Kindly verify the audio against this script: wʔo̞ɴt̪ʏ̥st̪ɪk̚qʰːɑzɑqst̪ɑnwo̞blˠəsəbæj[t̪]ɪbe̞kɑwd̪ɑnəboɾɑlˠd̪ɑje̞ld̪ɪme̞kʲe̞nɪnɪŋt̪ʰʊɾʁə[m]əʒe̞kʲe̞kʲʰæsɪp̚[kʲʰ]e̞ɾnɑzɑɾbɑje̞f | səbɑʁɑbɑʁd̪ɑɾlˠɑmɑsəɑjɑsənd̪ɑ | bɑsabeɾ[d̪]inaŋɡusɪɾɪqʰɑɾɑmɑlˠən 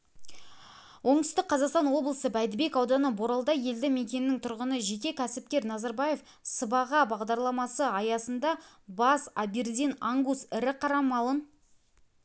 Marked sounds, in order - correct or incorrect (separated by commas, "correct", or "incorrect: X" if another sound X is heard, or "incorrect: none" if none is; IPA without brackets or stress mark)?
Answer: incorrect: d̪, incorrect: n, incorrect: kʲ, correct